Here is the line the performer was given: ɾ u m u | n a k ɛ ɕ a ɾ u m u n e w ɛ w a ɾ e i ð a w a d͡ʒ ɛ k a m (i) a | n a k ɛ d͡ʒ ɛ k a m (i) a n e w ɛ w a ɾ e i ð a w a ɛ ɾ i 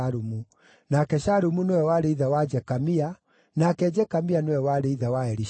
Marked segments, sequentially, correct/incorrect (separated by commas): correct, correct